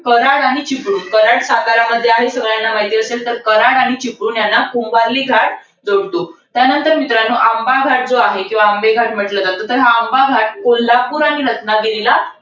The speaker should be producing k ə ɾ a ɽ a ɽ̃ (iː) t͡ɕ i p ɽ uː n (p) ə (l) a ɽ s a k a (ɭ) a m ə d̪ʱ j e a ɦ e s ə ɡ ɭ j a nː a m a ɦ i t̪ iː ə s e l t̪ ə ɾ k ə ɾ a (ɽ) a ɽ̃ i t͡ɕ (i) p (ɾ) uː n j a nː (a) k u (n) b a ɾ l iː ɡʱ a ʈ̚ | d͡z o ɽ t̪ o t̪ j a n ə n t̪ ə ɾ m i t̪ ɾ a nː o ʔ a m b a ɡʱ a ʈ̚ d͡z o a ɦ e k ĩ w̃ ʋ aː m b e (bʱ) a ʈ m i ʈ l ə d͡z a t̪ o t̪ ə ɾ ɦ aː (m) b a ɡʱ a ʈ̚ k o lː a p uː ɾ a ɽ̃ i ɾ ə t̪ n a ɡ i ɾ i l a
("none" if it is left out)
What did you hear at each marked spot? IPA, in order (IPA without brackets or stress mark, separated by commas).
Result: i, k, ɾ, ɾ, ɽ, i, ɽ, a, m, ɡʱ, m